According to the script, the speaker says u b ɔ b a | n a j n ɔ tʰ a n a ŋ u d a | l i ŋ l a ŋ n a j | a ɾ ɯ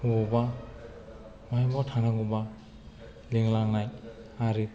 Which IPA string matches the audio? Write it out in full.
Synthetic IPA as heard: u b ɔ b a | m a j m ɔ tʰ a n a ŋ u b a | l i ŋ l a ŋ n a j | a ɾ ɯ